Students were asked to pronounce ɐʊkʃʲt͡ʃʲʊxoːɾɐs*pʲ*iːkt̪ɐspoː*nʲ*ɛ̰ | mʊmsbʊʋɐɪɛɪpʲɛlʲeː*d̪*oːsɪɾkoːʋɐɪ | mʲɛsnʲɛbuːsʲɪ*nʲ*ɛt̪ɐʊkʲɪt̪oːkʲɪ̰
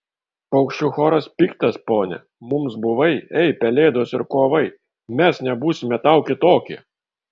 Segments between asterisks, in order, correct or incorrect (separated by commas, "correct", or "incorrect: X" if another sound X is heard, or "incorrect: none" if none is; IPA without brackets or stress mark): correct, correct, correct, incorrect: mʲ